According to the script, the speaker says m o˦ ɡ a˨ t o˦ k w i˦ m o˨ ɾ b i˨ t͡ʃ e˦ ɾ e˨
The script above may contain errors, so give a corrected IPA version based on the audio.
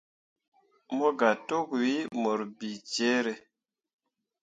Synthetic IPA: m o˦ ɡ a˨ t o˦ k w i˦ m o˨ ɾ b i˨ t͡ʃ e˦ ɾ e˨